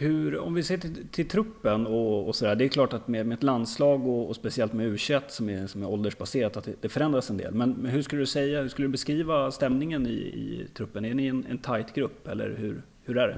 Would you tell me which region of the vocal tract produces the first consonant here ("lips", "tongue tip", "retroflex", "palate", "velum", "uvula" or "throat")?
throat